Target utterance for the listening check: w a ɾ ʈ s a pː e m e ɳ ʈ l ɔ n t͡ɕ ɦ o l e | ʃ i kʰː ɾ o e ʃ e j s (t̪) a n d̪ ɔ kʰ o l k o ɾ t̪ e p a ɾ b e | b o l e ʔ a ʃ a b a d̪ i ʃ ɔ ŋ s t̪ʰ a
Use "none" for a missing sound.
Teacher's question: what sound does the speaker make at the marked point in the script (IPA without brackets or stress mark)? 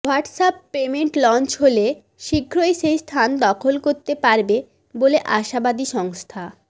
t̪ʰ